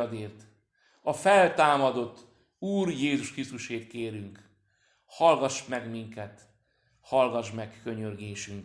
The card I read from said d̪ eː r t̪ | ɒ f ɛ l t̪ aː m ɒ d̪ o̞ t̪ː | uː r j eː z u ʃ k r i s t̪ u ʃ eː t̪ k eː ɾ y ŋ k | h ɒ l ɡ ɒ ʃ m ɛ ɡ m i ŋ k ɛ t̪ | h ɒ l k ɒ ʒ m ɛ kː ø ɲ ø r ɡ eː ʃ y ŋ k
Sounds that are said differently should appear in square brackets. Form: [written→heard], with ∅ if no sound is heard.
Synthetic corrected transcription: d̪ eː r t̪ | ɒ f ɛ l t̪ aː m ɒ d̪ o̞ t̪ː | uː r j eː z u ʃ k r i s t̪ u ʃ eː t̪ k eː ɾ y ŋ k | h ɒ l ɡ ɒ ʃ m ɛ ɡ m i ŋ k ɛ t̪ | h ɒ l [k→ɡ] ɒ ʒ m ɛ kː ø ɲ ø r ɡ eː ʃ y ŋ k